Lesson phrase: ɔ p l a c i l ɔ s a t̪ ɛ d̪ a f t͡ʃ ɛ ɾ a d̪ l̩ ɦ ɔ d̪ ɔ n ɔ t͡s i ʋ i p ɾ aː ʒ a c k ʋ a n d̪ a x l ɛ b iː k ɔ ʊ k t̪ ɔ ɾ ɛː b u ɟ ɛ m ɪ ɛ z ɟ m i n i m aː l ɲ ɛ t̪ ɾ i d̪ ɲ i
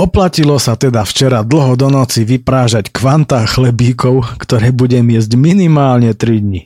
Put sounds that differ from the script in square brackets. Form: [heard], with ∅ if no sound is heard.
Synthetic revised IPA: ɔ p l a c i l ɔ s a t̪ ɛ d̪ a f t͡ʃ ɛ ɾ a d̪ l̩ ɦ ɔ d̪ ɔ n ɔ t͡s i ʋ i p ɾ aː ʒ a c k ʋ a n [t̪] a x l ɛ b iː k ɔ ʊ k t̪ ɔ ɾ ɛː b u ɟ ɛ m ɪ ɛ z ɟ m i n i m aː l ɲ ɛ t̪ ɾ i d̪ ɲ i